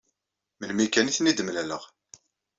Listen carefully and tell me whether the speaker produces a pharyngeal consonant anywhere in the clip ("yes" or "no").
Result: no